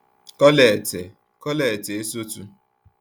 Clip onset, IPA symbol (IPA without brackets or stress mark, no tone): k